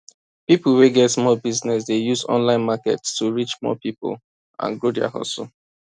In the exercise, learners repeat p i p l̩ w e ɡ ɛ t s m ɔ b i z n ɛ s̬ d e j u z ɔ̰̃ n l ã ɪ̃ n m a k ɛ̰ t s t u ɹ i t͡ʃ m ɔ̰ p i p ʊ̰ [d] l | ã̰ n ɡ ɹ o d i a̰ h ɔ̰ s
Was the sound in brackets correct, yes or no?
no